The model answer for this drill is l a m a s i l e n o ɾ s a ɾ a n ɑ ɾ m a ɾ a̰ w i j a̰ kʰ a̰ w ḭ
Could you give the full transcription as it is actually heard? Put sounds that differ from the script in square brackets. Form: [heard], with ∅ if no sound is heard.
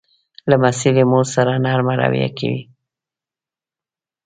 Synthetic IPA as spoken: l a m a s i l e [m] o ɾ s a ɾ a n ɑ ɾ m a ɾ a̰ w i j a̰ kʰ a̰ w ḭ